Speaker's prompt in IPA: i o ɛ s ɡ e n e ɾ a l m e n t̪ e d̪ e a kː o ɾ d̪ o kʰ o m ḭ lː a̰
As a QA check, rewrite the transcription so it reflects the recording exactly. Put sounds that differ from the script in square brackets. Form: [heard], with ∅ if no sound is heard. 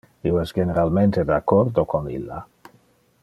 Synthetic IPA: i o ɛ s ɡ e n e ɾ a l m e n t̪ e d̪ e a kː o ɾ d̪ o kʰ o [n] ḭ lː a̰

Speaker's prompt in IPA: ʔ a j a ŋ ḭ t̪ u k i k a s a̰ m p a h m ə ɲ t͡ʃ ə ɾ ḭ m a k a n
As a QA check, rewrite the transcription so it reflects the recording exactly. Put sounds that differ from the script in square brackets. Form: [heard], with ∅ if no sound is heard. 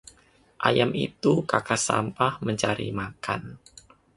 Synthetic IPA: ʔ a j a [m] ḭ t̪ u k [a] k a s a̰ m p a h m ə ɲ t͡ʃ [a] ɾ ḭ m a k a n

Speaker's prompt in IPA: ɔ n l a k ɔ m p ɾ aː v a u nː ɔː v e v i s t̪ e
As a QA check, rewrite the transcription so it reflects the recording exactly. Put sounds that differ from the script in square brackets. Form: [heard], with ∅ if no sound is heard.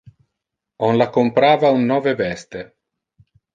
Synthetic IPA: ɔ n l a k [o] m p ɾ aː v a u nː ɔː v e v [ɛ] s t̪ e

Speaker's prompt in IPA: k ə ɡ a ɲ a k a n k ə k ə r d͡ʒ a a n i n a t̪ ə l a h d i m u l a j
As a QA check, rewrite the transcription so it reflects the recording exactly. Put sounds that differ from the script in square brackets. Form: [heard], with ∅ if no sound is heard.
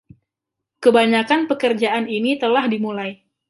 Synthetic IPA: k ə [b] a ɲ a k a n [p] ə k ə r d͡ʒ a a n i n [i] t̪ ə l a h d i m u l a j

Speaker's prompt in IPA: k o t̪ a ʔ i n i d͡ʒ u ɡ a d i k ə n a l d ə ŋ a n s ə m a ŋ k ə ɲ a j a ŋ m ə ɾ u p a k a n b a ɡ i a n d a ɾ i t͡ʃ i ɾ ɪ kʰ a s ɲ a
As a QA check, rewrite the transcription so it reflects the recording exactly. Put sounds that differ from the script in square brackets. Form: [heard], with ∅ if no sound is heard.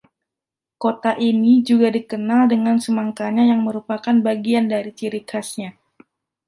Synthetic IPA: k o t̪ a ʔ i n i d͡ʒ u ɡ a d i k ə n a l d ə ŋ a n s ə m a ŋ k [a] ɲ a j a ŋ m ə ɾ u p a k a n b a ɡ i a n d a ɾ i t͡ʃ i ɾ [i] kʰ a s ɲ a

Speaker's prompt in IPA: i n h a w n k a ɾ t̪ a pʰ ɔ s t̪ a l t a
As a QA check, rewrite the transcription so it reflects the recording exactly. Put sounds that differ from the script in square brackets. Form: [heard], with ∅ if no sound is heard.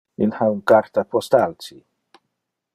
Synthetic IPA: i n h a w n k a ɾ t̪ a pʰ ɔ s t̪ a l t [i]

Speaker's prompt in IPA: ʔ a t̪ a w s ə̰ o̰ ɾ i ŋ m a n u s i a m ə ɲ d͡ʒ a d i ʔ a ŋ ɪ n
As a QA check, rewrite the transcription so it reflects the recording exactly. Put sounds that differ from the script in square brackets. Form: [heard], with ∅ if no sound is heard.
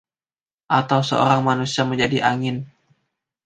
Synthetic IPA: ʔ a t̪ a w s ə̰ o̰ ɾ [a] ŋ m a n u s i a m ə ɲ d͡ʒ a d i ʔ a ŋ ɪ n

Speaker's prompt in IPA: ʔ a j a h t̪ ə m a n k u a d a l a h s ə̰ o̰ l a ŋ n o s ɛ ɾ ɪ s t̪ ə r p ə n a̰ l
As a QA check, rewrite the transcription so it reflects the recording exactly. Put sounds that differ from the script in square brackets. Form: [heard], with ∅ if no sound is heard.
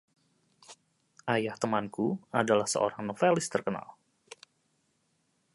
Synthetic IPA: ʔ a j a h t̪ ə m a n k u a d a l a h s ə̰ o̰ [ɾ] a ŋ n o [f] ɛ [l] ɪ s t̪ ə r [k] ə n a̰ l

